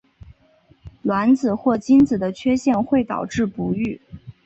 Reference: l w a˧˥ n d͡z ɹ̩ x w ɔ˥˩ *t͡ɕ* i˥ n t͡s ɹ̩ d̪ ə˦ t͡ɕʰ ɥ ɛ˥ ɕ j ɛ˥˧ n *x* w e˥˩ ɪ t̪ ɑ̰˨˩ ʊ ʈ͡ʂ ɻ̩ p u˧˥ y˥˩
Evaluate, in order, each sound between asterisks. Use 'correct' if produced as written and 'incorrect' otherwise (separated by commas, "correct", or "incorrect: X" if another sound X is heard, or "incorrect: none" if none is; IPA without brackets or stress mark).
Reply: correct, correct